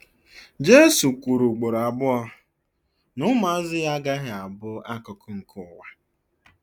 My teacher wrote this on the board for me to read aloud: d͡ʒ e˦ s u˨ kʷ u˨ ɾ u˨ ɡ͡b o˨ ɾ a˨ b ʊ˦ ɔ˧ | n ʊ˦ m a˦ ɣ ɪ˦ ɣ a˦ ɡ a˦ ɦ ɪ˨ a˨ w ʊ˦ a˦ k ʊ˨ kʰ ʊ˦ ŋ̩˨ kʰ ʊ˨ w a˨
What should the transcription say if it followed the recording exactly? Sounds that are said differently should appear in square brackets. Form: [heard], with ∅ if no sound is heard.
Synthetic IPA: d͡ʒ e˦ s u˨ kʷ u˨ ɾ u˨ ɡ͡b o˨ ɾ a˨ b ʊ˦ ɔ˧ | n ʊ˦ m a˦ [z] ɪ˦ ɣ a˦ ɡ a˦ ɦ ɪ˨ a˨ [b] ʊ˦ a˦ k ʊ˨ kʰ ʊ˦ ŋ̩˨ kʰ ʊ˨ w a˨